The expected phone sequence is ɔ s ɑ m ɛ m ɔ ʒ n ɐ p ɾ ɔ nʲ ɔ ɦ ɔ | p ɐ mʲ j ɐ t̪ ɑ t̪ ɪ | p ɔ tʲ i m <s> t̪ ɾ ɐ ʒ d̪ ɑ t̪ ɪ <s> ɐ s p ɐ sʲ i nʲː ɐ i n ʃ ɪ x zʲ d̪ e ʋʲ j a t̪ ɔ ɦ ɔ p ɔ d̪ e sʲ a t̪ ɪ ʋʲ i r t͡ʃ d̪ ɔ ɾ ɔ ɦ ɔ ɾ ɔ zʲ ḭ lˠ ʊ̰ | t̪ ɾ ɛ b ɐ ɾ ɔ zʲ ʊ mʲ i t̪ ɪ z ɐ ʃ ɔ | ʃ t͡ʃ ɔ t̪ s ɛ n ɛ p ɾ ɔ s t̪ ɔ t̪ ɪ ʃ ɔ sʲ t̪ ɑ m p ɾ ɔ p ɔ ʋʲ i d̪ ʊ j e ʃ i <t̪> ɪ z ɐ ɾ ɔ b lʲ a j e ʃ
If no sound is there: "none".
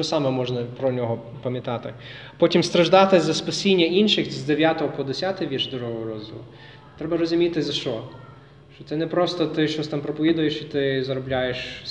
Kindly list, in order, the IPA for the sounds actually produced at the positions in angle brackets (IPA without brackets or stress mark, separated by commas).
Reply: s, z, t̪